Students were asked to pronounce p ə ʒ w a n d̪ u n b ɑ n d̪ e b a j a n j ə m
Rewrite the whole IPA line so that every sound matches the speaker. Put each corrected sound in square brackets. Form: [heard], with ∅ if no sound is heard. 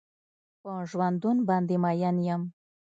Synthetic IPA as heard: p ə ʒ w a n d̪ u n b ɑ n d̪ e [m] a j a n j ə m